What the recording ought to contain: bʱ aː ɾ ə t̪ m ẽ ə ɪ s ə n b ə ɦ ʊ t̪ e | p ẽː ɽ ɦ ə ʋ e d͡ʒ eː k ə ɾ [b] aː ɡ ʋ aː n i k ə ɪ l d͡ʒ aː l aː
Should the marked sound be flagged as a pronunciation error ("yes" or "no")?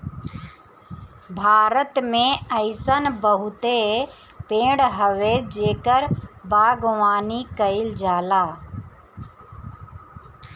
no